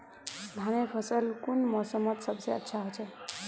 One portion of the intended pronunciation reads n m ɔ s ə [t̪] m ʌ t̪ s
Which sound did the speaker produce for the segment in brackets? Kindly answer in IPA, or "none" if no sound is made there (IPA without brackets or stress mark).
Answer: none